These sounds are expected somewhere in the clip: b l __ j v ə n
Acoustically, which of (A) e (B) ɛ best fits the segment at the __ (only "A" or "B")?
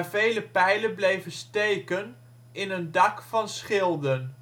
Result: A